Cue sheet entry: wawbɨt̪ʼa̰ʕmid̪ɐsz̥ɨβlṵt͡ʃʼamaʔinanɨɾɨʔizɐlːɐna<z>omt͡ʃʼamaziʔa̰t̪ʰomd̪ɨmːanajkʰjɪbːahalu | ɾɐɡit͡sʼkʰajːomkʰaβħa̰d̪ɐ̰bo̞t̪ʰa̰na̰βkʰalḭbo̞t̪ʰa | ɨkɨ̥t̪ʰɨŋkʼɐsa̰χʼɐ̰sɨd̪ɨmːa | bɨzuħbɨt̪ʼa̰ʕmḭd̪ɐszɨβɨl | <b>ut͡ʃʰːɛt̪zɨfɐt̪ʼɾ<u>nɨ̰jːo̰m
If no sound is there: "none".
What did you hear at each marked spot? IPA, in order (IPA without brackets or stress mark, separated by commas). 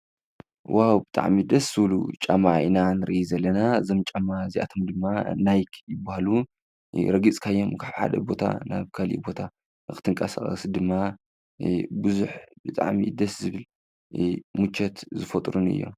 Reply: z, m, u